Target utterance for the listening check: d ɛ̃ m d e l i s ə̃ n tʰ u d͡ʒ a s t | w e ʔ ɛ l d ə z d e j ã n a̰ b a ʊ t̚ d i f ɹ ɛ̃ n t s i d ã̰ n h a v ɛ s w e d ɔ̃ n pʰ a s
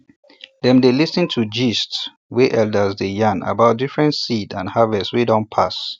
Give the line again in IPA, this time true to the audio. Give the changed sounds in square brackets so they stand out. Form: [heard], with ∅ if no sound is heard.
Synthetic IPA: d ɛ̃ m d e l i s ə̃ n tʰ u d͡ʒ [i] s t | w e ʔ ɛ l d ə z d e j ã n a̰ b a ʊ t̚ d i f ɹ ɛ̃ n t s i d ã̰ n h a v ɛ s w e d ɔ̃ n pʰ a s